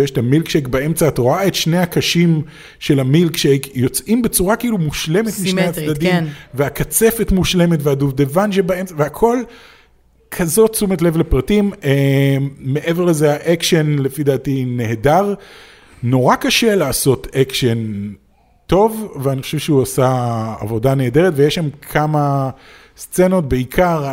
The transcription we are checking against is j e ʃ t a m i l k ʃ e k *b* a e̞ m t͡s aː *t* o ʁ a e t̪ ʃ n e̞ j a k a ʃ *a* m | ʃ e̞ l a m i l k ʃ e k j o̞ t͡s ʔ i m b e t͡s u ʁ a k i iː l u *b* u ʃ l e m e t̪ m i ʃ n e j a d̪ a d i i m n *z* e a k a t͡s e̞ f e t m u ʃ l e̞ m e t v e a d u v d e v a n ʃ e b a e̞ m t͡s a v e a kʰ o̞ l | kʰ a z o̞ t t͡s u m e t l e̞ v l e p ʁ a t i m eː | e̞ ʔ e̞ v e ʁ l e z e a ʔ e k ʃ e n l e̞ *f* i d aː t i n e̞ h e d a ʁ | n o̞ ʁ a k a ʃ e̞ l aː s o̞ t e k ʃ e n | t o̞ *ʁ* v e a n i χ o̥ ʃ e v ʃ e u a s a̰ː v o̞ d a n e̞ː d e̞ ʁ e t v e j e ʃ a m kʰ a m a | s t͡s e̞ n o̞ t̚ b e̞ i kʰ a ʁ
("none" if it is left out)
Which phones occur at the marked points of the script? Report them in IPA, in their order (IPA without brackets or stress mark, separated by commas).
b, t, i, m, v, f, v